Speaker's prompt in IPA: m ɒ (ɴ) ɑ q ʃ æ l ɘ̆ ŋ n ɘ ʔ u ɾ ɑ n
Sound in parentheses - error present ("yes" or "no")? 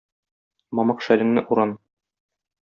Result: yes